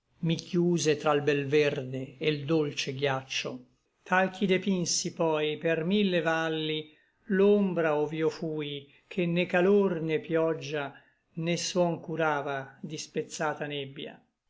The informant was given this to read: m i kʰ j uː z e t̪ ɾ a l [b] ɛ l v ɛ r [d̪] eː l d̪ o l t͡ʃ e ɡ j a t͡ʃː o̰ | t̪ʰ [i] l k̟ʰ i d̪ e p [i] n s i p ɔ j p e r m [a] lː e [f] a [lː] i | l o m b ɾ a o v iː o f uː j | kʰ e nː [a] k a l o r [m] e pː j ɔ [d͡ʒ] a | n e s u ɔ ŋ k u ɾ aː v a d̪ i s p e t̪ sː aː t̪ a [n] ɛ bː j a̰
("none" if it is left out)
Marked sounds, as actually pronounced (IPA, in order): b, d̪, a, i, i, v, lː, e, n, d͡ʒː, n

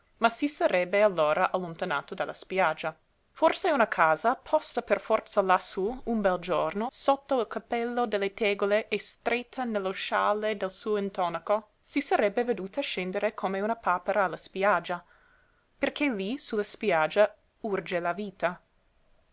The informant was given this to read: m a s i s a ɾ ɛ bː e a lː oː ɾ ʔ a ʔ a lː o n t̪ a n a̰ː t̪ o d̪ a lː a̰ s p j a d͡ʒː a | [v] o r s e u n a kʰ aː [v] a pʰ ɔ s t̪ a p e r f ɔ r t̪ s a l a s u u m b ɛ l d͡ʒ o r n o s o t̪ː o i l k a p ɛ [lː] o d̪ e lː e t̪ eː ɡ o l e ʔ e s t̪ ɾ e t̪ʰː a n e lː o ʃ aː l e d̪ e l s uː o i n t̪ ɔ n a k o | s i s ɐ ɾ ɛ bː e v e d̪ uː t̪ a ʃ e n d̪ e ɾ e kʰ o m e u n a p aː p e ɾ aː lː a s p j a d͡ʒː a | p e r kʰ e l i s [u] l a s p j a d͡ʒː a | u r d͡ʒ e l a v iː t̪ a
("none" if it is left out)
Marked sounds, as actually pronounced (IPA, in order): f, z, lː, u

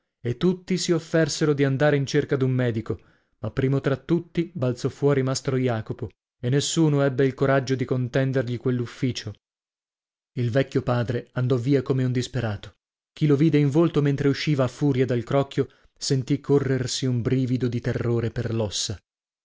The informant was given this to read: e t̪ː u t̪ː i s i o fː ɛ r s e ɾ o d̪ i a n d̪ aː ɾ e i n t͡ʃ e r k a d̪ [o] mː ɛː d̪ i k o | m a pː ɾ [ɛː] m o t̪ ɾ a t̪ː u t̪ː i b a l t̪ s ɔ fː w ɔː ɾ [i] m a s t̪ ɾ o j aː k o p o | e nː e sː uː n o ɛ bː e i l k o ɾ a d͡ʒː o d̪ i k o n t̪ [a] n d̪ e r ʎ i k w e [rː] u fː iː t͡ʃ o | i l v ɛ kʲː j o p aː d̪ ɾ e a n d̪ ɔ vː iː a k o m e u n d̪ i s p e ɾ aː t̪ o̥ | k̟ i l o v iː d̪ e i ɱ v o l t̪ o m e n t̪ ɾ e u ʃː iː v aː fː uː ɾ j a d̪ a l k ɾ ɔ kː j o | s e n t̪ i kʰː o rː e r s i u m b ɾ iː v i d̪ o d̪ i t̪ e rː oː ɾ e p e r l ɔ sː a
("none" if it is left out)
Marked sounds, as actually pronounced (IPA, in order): u, iː, i, ɛ, lː

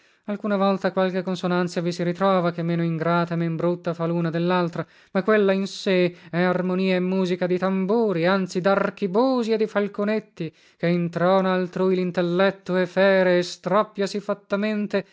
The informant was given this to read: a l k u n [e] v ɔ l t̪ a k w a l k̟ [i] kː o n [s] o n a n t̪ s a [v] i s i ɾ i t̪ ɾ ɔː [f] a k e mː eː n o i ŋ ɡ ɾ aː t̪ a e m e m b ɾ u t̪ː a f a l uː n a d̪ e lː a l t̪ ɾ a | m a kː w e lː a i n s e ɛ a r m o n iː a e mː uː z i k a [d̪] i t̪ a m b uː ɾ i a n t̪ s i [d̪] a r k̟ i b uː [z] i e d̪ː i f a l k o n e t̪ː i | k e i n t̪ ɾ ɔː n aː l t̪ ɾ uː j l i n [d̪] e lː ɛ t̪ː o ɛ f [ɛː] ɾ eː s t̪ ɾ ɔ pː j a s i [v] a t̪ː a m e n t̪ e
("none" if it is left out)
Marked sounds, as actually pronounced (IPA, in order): a, e, s, v, v, d̪, d̪, z, t̪, ɛː, f

